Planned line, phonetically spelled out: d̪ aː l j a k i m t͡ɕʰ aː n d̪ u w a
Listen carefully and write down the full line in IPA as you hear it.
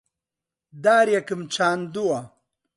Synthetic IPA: d̪ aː ɾ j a k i m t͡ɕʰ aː n d̪ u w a

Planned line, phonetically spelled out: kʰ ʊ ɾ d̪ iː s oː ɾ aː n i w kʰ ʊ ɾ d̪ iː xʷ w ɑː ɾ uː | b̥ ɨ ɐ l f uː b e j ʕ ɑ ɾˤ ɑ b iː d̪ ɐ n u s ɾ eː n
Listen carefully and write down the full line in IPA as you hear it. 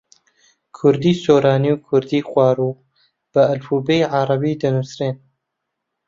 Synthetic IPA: kʰ ʊ ɾ d̪ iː s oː ɾ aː n i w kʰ ʊ ɾ d̪ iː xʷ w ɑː ɾ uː | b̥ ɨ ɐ l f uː b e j ʕ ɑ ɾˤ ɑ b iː d̪ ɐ n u s ɾ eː n

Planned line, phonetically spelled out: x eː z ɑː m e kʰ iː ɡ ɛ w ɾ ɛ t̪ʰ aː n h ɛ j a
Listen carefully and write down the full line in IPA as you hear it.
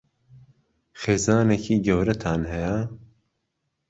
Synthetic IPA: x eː z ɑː n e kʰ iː ɡ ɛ w ɾ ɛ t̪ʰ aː n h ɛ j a

